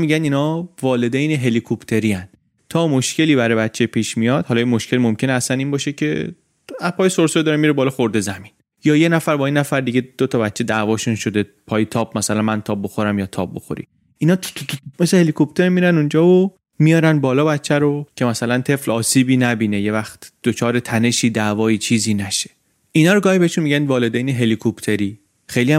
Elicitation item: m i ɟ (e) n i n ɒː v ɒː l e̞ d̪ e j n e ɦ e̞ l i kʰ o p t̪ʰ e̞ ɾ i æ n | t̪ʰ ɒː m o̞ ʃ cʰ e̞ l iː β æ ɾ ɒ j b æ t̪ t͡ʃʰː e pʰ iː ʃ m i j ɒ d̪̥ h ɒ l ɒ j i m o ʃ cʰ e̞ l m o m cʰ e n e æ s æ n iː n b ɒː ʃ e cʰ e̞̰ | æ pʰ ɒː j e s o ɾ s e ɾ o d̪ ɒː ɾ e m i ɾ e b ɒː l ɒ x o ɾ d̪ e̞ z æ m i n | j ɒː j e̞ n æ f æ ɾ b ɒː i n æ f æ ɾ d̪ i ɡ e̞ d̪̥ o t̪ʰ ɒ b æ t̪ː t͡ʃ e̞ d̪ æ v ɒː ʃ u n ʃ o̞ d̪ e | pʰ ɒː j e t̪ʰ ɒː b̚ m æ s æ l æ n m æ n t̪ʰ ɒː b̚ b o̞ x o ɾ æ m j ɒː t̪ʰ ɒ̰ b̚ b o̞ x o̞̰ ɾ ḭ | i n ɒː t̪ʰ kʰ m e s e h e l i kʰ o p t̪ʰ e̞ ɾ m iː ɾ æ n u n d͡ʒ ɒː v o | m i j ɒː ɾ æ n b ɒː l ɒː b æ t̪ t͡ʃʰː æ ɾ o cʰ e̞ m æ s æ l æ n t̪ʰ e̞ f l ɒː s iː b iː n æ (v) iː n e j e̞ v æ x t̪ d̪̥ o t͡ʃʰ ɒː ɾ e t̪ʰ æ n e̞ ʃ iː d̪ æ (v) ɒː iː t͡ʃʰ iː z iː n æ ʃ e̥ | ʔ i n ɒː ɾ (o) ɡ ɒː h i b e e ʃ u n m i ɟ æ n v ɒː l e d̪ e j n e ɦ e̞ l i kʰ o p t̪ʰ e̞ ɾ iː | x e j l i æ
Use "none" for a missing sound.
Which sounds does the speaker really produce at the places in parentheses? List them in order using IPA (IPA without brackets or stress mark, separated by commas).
æ, b, v, o